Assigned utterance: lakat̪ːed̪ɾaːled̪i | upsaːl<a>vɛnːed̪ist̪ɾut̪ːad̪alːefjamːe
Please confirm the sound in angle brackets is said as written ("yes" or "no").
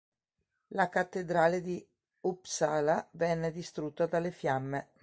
yes